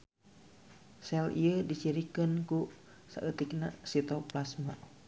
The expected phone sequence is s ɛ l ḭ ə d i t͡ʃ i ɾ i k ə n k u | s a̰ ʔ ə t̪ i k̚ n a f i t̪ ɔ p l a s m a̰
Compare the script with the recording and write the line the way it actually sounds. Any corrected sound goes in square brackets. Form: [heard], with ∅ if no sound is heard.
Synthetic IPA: s ɛ l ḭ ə d i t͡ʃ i ɾ i k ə n k u | s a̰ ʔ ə t̪ i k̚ n a [s] i t̪ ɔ p l a s m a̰